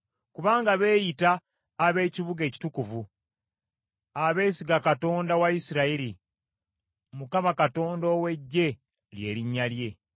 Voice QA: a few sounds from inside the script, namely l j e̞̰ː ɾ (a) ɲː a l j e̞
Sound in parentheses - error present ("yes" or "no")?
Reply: yes